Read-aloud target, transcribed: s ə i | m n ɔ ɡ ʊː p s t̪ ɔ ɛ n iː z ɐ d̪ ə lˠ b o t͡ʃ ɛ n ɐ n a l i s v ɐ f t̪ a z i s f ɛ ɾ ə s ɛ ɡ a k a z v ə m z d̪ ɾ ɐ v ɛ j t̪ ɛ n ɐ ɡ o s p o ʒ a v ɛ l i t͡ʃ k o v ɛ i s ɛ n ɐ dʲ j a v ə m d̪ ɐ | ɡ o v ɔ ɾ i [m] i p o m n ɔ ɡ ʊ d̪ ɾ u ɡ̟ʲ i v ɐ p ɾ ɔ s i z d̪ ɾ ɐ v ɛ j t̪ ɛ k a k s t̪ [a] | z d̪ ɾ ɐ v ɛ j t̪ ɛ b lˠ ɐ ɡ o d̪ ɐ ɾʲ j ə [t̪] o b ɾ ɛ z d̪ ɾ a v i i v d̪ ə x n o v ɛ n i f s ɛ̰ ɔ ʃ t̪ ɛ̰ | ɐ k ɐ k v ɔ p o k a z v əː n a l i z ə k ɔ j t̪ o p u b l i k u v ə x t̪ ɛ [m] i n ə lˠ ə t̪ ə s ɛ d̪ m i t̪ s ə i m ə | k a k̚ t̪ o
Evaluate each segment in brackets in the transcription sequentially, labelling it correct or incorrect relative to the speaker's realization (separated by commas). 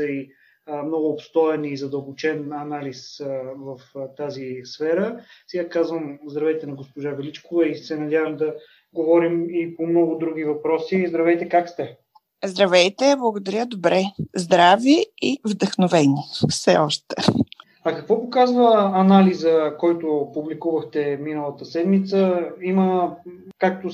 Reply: correct, incorrect, incorrect, correct